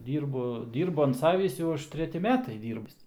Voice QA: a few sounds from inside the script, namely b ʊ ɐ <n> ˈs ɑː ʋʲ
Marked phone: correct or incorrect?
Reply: correct